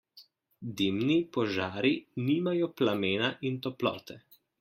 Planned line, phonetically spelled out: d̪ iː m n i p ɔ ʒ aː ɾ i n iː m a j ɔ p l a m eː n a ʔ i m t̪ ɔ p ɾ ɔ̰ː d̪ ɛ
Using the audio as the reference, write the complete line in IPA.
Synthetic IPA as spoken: d̪ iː m n i p ɔ ʒ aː ɾ i n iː m a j ɔ p l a m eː n a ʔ i n t̪ ɔ p l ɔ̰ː t̪ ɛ

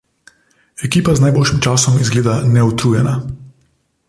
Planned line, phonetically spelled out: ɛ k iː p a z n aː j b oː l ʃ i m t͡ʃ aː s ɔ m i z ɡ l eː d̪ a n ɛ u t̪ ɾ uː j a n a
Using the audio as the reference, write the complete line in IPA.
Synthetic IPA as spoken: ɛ k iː p a z n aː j b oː l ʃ i m t͡ʃ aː s ɔ m i z ɡ l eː d̪ a n ɛ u t̪ ɾ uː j ɛ n a

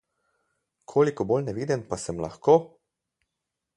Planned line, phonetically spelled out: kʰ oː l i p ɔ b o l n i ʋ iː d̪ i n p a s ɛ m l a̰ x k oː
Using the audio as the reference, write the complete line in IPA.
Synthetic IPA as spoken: kʰ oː l i k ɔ b o l n ɛ ʋ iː d̪ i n p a s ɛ m l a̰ x k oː

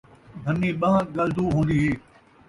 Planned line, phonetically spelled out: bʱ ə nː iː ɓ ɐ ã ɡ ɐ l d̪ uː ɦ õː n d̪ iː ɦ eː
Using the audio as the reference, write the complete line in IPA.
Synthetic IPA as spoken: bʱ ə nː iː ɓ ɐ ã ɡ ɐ l d̪ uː ɦ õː n d̪ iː ɦ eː

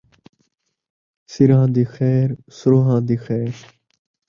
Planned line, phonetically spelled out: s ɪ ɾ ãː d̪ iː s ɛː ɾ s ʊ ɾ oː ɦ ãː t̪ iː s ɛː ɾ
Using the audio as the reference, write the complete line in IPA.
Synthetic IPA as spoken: s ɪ ɾ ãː d̪ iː x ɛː ɾ s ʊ ɾ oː ɦ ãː d̪ iː x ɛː ɾ

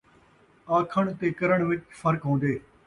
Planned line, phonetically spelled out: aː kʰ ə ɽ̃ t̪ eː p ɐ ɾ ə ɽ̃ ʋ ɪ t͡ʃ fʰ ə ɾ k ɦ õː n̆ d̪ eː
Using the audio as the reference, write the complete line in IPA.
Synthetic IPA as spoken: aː kʰ ə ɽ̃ t̪ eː k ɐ ɾ ə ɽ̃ ʋ ɪ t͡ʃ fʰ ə ɾ k ɦ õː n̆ d̪ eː

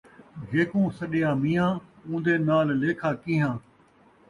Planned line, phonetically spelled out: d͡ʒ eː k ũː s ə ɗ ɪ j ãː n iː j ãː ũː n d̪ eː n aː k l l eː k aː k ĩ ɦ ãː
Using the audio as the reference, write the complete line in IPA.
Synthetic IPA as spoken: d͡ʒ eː k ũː s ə ɗ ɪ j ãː m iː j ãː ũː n d̪ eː n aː l l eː kʰ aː k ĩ ɦ ãː

